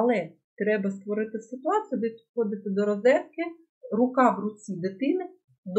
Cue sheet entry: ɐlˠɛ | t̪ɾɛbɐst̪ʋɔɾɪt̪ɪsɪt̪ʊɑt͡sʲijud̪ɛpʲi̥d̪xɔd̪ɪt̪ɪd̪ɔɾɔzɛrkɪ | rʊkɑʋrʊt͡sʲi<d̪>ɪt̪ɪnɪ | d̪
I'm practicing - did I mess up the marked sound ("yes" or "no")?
no